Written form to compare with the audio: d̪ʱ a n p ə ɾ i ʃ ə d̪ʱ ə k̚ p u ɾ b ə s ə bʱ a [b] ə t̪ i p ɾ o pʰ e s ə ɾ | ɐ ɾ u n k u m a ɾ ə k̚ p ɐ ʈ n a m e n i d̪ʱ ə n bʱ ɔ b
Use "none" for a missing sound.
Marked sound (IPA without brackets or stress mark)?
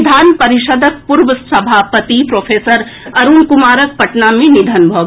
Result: p